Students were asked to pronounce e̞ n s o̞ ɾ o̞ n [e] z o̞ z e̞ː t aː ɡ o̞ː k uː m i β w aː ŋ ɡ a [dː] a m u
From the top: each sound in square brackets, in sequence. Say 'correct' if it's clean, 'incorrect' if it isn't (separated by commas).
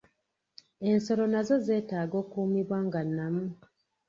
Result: incorrect, incorrect